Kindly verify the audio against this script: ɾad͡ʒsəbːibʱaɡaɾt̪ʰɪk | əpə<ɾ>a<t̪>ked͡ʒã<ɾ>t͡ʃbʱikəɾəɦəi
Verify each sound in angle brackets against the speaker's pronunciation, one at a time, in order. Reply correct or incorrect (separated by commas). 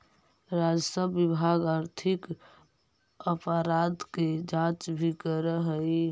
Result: correct, incorrect, incorrect